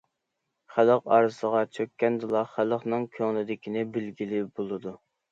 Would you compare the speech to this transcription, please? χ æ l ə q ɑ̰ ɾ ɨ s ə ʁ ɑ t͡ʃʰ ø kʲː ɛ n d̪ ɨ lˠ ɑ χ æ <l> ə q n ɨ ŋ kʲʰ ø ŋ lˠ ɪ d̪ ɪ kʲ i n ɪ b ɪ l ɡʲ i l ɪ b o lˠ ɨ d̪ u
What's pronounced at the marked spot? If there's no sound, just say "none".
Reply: l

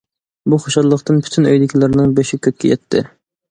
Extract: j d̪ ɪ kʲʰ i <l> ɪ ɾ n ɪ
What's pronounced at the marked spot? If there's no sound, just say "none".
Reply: l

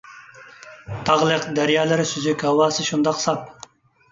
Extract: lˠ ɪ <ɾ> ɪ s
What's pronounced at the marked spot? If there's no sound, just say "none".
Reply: ɾ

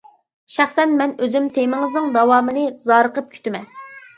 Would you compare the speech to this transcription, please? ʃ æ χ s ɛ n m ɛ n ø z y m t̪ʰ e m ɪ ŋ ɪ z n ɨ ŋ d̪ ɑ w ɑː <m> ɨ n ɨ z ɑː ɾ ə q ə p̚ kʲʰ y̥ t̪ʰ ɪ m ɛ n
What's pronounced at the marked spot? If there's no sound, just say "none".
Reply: m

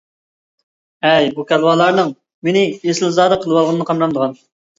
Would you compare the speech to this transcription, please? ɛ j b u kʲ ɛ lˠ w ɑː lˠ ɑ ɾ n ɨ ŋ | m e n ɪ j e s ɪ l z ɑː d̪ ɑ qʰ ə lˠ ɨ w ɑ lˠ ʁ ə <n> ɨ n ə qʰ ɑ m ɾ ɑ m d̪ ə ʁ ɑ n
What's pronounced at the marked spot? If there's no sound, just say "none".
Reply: n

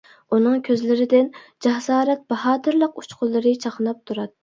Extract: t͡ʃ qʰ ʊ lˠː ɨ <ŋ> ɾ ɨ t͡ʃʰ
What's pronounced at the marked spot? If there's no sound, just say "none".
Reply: none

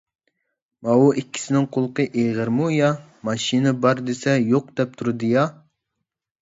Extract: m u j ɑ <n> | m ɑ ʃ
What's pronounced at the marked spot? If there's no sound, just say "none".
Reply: none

